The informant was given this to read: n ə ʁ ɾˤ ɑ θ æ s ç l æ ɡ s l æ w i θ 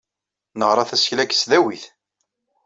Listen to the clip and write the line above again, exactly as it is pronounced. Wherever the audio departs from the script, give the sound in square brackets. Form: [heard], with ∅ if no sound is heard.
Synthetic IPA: n ə ʁ ɾˤ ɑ θ æ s ç l æ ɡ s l æ w i θ

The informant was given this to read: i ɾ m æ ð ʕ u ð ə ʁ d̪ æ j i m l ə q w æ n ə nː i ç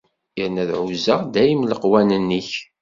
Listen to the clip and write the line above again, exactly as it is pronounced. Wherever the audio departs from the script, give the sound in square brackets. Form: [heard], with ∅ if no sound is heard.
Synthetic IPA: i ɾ [n] æ ð ʕ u [z] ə ʁ d̪ æ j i m l ə q w æ n ə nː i ç

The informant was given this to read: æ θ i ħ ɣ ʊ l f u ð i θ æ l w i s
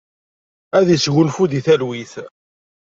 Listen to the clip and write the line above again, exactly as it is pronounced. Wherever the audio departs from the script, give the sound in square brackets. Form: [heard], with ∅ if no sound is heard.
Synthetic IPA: æ [ð] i [s] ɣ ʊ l f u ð i θ æ l w i [θ]

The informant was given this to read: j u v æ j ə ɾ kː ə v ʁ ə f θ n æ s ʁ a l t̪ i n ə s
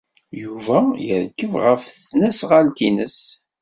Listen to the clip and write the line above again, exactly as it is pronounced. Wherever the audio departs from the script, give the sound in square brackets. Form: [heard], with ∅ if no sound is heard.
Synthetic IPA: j u v æ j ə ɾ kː ə v ʁ ə f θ n æ s ʁ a l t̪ i n ə s

